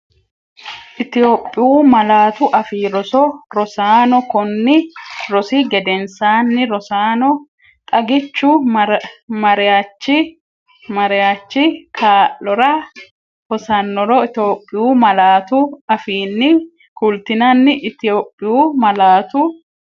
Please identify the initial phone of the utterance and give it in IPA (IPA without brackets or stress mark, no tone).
ʔ